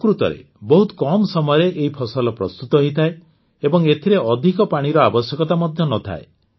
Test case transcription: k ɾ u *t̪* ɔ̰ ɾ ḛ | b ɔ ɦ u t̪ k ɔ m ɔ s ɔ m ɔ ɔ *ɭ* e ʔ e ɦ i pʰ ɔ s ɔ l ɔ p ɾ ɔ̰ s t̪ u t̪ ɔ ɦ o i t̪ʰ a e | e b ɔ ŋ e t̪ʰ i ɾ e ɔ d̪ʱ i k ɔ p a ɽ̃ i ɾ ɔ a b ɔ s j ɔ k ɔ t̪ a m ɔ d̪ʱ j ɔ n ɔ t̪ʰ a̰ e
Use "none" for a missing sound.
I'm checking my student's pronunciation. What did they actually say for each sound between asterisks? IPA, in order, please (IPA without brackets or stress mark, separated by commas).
t̪, ɾ